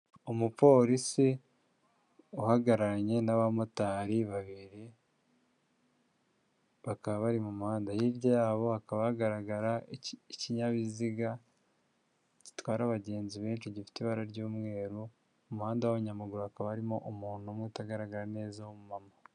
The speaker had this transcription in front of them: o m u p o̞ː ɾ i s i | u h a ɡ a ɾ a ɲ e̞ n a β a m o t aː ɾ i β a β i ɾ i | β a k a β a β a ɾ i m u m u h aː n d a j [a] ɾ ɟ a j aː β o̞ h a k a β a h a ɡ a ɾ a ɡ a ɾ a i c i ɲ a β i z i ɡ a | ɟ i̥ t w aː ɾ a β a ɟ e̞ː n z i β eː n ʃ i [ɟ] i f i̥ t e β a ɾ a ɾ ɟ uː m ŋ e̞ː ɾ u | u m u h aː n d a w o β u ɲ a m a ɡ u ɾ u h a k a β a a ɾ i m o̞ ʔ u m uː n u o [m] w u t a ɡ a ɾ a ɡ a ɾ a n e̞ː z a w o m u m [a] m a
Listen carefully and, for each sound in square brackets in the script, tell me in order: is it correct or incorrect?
incorrect: i, correct, correct, correct

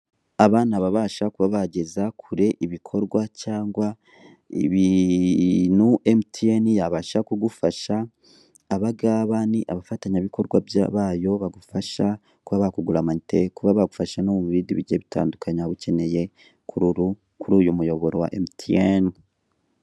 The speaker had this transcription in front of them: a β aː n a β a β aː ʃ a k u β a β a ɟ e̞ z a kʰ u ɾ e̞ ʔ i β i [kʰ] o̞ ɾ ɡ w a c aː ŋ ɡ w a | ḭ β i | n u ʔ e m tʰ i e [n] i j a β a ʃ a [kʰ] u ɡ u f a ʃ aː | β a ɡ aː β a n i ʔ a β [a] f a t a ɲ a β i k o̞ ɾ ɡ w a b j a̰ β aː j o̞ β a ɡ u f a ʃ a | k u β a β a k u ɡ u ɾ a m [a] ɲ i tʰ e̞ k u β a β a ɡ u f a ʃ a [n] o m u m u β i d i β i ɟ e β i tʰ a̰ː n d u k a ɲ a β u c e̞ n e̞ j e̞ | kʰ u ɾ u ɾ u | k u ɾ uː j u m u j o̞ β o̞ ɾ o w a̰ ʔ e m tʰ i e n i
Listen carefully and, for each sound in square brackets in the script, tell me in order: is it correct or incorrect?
correct, correct, incorrect: k, correct, correct, correct

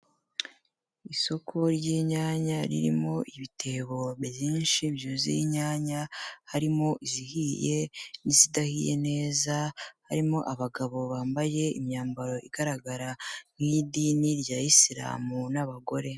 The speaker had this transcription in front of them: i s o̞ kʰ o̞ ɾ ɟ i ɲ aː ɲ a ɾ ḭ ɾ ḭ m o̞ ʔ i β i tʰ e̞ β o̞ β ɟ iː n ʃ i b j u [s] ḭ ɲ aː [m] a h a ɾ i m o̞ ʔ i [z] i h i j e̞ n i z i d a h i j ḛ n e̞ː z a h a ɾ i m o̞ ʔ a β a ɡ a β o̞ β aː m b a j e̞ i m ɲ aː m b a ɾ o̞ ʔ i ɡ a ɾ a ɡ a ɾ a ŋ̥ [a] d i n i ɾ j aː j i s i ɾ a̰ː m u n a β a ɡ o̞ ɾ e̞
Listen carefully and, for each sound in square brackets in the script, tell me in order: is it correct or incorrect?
incorrect: z, incorrect: ɲ, correct, incorrect: i

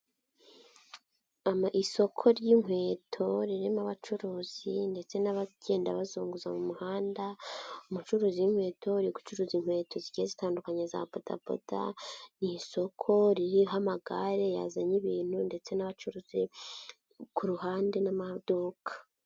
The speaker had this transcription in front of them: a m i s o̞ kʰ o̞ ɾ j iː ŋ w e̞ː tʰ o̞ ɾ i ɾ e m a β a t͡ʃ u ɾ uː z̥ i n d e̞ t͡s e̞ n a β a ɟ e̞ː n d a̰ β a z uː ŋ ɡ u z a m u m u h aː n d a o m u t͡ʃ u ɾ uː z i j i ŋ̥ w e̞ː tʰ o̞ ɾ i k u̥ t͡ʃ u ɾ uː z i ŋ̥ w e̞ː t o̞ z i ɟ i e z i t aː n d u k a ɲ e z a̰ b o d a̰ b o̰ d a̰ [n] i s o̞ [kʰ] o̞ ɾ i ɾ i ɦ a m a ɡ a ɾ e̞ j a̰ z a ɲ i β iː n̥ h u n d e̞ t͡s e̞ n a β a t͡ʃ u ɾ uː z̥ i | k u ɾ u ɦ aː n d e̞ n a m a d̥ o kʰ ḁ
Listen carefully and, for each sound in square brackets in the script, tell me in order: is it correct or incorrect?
correct, correct

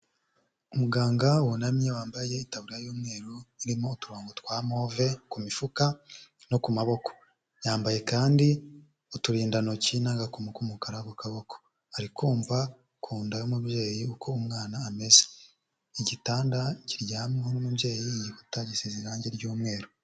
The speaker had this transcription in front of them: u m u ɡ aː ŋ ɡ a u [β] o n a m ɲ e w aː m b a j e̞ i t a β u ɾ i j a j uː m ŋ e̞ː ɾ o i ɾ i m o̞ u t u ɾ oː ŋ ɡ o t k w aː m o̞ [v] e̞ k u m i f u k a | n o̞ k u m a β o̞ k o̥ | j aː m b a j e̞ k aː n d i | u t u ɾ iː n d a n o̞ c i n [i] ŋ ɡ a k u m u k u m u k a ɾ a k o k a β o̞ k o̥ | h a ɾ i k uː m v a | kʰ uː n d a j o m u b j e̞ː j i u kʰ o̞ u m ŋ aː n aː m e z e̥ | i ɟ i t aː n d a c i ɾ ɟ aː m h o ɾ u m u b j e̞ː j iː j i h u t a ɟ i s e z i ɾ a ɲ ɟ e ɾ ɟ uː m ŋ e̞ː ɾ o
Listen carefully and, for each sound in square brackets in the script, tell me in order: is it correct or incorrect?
incorrect: w, correct, incorrect: a

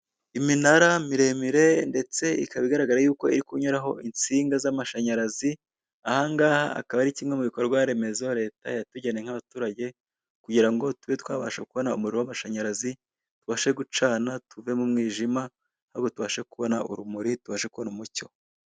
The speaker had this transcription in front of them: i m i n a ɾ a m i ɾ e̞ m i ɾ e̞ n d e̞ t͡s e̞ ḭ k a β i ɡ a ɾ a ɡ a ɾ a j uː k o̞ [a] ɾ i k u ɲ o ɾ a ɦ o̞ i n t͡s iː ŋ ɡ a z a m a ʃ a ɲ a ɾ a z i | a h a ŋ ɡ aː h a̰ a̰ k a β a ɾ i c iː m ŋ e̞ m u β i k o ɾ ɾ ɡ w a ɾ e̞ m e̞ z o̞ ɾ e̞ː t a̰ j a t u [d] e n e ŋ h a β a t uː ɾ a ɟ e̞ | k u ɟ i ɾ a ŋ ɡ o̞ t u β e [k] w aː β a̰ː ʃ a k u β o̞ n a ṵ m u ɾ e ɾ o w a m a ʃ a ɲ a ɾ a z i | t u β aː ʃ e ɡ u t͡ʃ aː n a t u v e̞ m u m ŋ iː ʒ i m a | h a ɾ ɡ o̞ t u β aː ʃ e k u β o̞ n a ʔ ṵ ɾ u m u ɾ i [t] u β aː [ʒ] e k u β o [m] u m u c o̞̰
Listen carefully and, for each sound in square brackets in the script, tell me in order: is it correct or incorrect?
incorrect: i, incorrect: ɟ, incorrect: t, correct, incorrect: ʃ, incorrect: n

